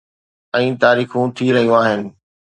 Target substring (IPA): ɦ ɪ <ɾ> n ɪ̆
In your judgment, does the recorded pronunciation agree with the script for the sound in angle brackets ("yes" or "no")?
no